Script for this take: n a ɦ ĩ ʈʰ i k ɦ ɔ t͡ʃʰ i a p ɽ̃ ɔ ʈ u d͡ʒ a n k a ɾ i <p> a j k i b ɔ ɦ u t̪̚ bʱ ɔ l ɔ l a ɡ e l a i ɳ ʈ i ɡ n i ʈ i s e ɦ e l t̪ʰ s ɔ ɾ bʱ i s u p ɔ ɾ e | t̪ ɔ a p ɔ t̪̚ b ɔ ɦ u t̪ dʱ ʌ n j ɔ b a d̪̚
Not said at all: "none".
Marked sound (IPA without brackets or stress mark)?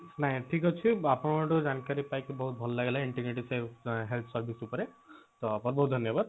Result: p